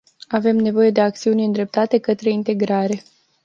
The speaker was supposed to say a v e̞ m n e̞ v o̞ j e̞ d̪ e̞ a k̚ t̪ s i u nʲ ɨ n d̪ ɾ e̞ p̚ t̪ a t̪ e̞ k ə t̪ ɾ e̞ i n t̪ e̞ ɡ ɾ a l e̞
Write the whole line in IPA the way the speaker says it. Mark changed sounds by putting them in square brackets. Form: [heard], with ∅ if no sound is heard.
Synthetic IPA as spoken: a v e̞ m n e̞ v o̞ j e̞ d̪ e̞ a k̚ t̪ s i u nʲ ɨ n d̪ ɾ e̞ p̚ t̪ a t̪ e̞ k ə t̪ ɾ e̞ i n t̪ e̞ ɡ ɾ a [ɾ] e̞

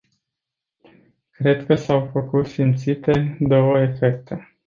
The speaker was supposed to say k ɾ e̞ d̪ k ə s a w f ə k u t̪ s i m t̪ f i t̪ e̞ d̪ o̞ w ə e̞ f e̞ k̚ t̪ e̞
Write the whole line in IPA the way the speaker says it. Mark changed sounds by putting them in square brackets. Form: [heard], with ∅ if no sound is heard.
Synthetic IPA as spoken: k ɾ e̞ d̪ k ə s a w f ə k u t̪ s i m t̪ [s] i t̪ e̞ d̪ o̞ w ə e̞ f e̞ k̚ t̪ e̞

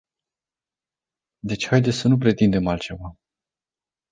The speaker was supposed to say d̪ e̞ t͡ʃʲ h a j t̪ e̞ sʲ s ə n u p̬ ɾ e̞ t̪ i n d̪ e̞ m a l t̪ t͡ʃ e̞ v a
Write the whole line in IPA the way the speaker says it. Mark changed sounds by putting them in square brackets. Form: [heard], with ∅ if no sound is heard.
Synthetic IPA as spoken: d̪ e̞ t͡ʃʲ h a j [d̪] e̞ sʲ s ə n u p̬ ɾ e̞ t̪ i n d̪ e̞ m a l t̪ t͡ʃ e̞ v a

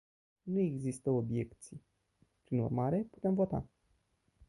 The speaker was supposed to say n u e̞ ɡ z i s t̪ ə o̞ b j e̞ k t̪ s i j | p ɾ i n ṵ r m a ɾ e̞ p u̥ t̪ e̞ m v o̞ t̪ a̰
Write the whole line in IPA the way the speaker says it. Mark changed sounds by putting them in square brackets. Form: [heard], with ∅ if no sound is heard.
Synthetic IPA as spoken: n u e̞ ɡ z i s t̪ ə o̞ b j e̞ k t̪ s i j | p ɾ i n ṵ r m a ɾ e̞ p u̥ t̪ e̞ m v o̞ t̪ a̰

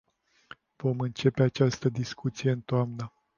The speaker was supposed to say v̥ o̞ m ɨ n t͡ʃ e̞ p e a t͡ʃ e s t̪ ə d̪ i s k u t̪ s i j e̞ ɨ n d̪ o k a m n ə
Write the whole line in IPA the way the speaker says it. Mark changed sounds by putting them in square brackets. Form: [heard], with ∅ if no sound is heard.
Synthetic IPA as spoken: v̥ o̞ m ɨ n t͡ʃ e̞ p e a t͡ʃ [a] s t̪ ə d̪ i s k u t̪ s i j e̞ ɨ n [t̪] o [∅] a m n ə

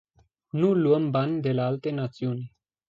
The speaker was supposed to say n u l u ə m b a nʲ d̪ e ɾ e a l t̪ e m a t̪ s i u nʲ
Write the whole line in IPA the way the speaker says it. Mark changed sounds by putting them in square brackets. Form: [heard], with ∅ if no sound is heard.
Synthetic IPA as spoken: n u l u ə m b a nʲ d̪ e [l] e a l t̪ e [n] a t̪ s i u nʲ

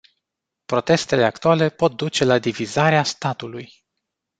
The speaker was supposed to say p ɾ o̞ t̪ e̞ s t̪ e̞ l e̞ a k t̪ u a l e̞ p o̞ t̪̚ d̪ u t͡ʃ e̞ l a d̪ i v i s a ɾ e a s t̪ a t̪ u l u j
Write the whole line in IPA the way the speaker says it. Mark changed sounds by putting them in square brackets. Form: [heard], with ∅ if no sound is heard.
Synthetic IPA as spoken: p ɾ o̞ t̪ e̞ s t̪ e̞ l e̞ a k t̪ u a l e̞ p o̞ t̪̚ d̪ u t͡ʃ e̞ l a d̪ i v i [z] a ɾ e a s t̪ a t̪ u l u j

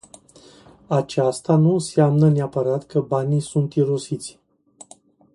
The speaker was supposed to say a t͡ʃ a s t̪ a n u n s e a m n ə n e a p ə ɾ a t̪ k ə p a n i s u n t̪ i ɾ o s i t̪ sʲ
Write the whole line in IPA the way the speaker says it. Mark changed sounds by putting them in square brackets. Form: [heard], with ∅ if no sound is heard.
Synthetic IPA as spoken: a t͡ʃ a s t̪ a n u n s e a m n ə n e a p ə ɾ a t̪ k ə [b] a n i s u n t̪ i ɾ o s i t̪ sʲ

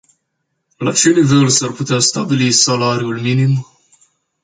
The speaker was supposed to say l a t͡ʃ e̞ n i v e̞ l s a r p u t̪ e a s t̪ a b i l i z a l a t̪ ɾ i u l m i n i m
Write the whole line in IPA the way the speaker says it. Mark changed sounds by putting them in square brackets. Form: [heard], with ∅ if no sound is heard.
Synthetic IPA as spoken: l a t͡ʃ e̞ n i v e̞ l s a r p u t̪ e a s t̪ a b i l i [s] a l a [∅] ɾ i u l m i n i m

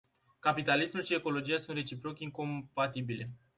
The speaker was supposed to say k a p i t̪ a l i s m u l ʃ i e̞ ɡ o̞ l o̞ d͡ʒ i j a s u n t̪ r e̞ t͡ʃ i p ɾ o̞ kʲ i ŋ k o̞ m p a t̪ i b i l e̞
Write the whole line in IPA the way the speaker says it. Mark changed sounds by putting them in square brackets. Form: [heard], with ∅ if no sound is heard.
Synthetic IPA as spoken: k a p i t̪ a l i s m u l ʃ i e̞ [k] o̞ l o̞ d͡ʒ i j a s u n t̪ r e̞ t͡ʃ i p ɾ o̞ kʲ i ŋ k o̞ m p a t̪ i b i l e̞

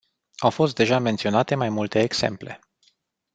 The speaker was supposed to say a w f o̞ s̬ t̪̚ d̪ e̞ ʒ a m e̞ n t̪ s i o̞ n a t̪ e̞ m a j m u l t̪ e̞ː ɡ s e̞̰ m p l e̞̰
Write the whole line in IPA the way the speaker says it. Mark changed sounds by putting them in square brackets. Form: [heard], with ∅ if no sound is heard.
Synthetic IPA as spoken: a w f o̞ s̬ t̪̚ d̪ e̞ ʒ a m e̞ n t̪ s i o̞ n a t̪ e̞ m a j m u l t̪ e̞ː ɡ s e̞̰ m p l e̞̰

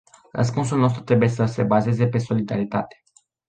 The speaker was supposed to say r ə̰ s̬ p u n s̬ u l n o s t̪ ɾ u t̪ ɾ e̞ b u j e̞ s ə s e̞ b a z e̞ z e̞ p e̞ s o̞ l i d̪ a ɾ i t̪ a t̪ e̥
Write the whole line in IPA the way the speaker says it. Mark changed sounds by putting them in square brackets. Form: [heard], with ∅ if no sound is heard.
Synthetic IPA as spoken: r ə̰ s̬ p u n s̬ u l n o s t̪ ɾ u t̪ ɾ e̞ b u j e̞ s ə s e̞ b a z e̞ z e̞ p e̞ s o̞ l i d̪ a ɾ i t̪ a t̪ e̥

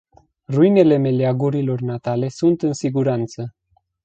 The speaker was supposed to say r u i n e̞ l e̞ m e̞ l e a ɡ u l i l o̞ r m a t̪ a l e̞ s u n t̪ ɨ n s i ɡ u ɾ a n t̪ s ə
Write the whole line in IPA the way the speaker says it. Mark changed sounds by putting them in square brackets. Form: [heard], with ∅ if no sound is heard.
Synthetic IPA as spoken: r u i n e̞ l e̞ m e̞ l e a ɡ u [ɾ] i l o̞ r [n] a t̪ a l e̞ s u n t̪ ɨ n s i ɡ u ɾ a n t̪ s ə

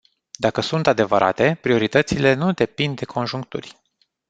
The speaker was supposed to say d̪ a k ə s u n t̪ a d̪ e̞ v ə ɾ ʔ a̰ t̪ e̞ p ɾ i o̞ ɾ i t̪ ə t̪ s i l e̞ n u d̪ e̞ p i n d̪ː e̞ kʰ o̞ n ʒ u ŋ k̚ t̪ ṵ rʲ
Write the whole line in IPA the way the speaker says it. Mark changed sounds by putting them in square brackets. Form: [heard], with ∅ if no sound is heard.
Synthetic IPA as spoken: d̪ a k ə s u n t̪ a d̪ e̞ v ə ɾ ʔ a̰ t̪ e̞ p ɾ i o̞ ɾ i t̪ ə t̪ s i l e̞ n u d̪ e̞ p i n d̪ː e̞ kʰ o̞ n ʒ u ŋ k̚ t̪ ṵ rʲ

